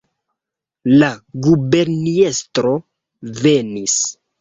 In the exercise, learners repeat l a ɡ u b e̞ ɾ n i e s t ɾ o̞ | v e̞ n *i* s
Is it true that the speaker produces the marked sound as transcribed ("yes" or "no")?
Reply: yes